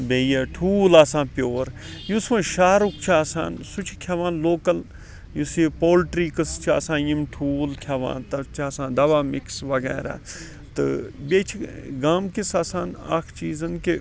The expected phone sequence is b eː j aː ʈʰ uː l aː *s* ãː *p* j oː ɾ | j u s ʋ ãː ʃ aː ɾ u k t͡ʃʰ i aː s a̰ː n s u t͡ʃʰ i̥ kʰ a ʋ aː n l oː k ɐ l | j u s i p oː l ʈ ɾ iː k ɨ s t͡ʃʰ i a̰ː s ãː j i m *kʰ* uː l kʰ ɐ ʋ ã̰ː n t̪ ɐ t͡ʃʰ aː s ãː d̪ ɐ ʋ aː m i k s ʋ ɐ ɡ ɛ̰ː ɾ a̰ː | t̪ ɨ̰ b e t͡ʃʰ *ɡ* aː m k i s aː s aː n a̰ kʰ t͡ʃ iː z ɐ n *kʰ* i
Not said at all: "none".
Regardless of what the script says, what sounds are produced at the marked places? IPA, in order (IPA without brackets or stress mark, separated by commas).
s, p, ʈʰ, ɡ, k